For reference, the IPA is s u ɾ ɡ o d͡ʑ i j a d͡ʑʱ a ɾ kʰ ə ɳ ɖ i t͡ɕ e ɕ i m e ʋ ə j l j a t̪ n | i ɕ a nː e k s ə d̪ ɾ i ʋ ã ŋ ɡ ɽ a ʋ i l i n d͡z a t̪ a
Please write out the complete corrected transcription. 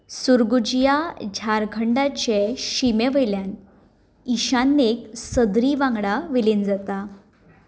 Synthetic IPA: s u ɾ ɡ u d͡ʑ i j a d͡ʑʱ a ɾ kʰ ə ɳ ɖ a t͡ɕ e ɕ i m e ʋ ə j l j a n | i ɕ a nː e k s ə d̪ ɾ i ʋ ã ŋ ɡ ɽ a ʋ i l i n d͡z a t̪ a